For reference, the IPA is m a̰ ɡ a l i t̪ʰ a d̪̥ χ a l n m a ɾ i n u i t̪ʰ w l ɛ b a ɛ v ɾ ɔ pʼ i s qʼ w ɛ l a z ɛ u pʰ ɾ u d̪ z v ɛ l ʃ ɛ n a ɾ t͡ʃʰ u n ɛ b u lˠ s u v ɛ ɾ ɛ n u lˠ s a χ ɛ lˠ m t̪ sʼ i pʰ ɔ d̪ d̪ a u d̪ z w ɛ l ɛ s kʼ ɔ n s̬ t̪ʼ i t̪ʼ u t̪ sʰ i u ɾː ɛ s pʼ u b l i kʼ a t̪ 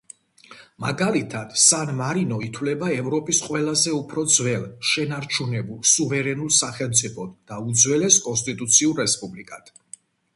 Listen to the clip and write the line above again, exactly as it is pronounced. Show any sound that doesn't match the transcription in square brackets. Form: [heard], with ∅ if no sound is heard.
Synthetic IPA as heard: m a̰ ɡ a l i t̪ʰ a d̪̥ [s] a [∅] n m a ɾ i n [ɔ] i t̪ʰ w l ɛ b a ɛ v ɾ ɔ pʼ i s qʼ w ɛ l a z ɛ u pʰ ɾ [ɔ] d̪ z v ɛ l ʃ ɛ n a ɾ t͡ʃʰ u n ɛ b u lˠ s u v ɛ ɾ ɛ n u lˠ s a χ ɛ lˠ m t̪ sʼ i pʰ ɔ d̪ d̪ a u d̪ z w ɛ l ɛ s kʼ ɔ n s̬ t̪ʼ i t̪ʼ u t̪ sʰ i u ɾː ɛ s pʼ u b l i kʼ a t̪